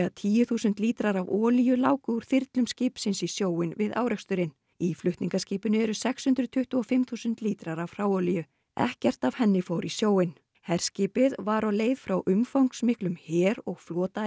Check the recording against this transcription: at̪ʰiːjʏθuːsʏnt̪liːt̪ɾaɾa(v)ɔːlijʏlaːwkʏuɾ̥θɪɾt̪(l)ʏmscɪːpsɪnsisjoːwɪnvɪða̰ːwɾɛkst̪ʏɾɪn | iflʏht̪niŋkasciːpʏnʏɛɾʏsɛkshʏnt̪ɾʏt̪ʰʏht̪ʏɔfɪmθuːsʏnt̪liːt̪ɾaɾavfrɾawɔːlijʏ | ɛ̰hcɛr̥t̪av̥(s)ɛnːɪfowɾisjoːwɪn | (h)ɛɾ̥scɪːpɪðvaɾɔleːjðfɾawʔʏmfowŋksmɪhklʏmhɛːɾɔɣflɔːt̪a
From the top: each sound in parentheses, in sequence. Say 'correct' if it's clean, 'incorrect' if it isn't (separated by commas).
correct, correct, incorrect, correct